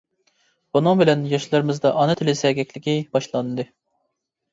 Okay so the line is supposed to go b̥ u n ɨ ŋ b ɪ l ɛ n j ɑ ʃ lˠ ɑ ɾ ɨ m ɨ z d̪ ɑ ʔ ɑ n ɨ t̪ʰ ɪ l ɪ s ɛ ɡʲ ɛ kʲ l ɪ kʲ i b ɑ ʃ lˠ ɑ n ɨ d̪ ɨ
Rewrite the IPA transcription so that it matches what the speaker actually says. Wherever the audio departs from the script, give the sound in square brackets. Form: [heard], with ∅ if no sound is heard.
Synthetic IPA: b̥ u n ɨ ŋ b ɪ l ɛ n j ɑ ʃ lˠ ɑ ɾ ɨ m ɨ z d̪ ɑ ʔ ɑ n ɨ t̪ʰ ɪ l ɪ s ɛ ɡʲ ɛ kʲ l ɪ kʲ i b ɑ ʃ lˠ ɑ n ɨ d̪ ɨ